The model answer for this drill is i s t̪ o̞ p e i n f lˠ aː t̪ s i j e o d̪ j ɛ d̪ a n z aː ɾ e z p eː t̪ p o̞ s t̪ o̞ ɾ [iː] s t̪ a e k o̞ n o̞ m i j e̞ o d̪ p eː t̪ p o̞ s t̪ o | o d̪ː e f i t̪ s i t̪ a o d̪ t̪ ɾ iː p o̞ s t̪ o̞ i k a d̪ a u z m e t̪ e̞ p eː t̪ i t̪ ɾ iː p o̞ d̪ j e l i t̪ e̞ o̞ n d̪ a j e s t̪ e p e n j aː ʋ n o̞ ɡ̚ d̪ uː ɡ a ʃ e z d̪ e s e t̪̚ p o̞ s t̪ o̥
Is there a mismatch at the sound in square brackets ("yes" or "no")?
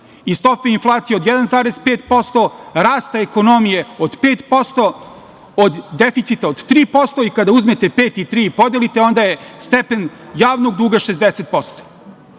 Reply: yes